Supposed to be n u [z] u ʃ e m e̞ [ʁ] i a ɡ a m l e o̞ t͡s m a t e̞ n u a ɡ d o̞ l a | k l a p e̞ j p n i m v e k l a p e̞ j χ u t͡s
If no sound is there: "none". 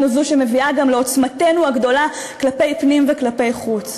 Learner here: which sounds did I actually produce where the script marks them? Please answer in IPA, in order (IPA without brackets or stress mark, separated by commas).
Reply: z, v